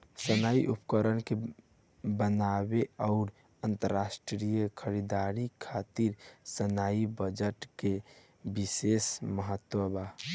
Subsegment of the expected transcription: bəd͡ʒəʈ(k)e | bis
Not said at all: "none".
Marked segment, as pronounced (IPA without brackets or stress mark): k